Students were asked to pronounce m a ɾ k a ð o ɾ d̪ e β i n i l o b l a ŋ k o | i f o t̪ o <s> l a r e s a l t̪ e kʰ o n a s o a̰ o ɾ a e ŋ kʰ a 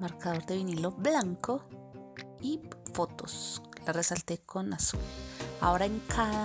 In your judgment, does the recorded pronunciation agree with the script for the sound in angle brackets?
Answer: yes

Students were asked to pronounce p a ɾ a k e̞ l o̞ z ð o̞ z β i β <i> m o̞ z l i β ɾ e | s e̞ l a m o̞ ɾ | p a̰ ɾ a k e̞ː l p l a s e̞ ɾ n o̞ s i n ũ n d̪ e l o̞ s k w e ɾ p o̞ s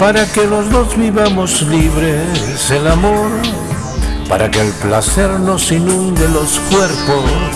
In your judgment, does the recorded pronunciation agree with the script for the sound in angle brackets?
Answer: no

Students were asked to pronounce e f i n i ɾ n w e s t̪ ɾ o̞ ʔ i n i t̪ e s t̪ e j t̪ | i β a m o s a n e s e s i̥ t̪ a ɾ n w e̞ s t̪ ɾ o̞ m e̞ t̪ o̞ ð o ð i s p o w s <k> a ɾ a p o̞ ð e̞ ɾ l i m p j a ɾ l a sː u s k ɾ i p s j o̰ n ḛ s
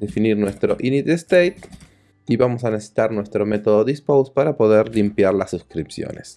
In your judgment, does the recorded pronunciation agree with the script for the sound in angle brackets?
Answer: no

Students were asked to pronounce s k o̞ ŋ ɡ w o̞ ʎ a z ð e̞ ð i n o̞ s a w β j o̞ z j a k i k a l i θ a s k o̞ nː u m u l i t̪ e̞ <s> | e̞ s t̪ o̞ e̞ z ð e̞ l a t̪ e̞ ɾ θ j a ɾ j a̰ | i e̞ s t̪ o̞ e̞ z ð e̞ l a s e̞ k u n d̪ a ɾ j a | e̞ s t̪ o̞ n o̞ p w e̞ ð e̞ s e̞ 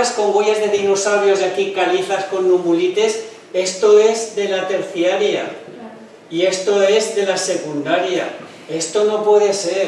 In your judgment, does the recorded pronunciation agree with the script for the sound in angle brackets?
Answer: yes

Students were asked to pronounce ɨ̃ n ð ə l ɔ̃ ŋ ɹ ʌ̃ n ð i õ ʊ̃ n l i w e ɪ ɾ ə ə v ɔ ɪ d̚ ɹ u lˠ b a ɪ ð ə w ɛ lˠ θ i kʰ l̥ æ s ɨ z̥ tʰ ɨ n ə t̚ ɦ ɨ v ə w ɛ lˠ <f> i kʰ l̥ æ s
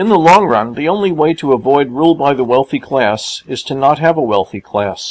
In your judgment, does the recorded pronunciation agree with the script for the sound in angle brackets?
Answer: no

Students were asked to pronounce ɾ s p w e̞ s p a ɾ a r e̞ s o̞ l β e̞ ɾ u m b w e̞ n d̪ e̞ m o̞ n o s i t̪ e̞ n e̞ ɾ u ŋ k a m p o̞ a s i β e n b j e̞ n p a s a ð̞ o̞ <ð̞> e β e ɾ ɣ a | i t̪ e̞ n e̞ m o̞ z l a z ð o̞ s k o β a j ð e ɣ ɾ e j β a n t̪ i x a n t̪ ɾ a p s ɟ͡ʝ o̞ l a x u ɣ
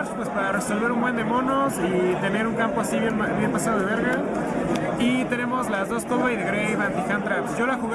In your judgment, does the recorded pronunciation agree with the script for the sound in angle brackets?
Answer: yes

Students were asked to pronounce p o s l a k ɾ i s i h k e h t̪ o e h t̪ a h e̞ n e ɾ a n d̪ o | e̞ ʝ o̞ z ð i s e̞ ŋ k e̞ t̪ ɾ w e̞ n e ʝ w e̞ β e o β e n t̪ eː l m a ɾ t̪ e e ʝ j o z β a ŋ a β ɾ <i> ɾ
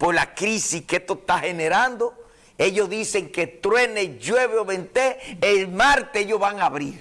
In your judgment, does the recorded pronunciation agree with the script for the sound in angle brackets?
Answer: yes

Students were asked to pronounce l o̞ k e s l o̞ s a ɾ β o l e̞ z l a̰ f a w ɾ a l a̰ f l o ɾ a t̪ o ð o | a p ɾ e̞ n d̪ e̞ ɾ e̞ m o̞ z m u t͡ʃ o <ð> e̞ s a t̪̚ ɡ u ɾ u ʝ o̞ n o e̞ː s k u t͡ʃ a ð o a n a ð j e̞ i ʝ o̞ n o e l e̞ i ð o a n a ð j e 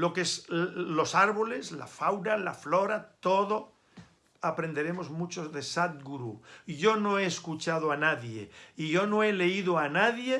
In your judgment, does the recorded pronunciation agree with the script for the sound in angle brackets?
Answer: yes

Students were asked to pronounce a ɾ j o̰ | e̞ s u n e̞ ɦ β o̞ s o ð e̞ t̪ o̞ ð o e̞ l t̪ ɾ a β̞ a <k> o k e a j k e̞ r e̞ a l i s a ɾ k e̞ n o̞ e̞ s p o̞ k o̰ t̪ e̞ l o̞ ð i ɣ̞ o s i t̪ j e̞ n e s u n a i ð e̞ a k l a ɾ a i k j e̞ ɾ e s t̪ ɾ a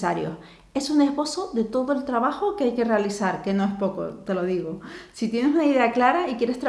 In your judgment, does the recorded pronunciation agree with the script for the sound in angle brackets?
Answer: no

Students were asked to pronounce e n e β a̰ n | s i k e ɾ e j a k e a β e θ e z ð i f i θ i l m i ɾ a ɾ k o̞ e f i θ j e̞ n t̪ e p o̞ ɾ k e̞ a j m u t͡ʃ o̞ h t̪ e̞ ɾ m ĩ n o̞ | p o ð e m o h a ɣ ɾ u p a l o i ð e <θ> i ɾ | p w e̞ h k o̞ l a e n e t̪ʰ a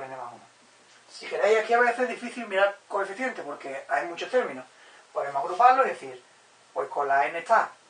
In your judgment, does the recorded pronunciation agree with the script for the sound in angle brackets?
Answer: yes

